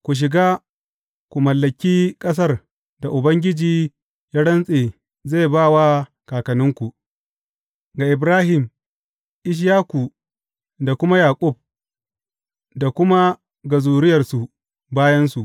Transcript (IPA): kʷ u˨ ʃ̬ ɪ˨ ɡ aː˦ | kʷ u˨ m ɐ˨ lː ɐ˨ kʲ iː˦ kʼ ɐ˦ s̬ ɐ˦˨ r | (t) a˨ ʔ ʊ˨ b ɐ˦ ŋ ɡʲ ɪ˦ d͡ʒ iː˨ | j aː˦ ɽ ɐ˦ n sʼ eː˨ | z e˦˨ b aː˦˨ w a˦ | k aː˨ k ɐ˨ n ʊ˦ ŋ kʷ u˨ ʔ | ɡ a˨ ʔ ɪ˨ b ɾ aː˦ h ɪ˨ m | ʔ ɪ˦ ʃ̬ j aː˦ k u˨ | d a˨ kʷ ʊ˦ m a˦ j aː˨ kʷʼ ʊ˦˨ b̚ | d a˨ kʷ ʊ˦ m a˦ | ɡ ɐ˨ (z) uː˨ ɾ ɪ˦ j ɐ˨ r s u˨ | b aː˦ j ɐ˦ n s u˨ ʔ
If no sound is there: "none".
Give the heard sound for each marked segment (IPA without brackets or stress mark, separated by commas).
d, z